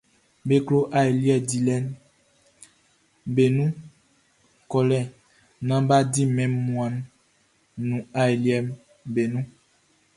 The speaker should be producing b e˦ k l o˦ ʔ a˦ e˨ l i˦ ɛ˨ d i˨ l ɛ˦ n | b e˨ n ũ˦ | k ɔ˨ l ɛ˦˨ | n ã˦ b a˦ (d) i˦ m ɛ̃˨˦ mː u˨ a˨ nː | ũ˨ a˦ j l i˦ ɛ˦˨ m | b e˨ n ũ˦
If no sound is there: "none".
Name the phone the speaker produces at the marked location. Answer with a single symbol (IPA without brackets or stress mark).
d